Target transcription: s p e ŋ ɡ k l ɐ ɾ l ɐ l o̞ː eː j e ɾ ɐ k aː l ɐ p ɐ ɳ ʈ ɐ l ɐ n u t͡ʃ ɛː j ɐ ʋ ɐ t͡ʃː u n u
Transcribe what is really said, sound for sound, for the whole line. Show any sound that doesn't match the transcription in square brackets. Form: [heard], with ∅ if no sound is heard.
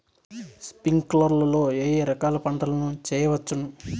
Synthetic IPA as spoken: s p [i] ŋ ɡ k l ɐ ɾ l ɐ l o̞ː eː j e ɾ ɐ k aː l ɐ p ɐ ɳ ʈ ɐ l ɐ n u t͡ʃ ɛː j ɐ ʋ ɐ t͡ʃː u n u